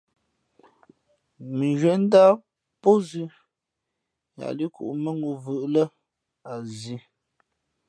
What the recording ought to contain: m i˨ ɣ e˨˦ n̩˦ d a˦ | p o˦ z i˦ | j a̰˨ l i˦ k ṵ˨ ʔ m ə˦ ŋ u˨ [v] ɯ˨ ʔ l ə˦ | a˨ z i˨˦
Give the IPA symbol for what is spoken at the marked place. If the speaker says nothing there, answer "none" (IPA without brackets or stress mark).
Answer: v